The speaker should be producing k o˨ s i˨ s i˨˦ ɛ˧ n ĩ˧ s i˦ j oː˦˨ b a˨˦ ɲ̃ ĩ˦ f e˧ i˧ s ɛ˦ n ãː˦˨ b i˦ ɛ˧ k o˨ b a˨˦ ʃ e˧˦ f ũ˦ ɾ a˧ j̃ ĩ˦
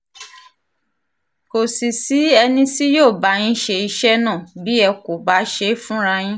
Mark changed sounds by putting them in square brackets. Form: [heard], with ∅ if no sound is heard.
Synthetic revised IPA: k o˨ s i˨ s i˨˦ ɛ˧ n ĩ˧ s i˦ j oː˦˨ b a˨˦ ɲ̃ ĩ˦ [ʃ] e˧ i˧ [ʃ] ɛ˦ n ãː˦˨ b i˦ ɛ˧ k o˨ b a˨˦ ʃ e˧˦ f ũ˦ ɾ a˧ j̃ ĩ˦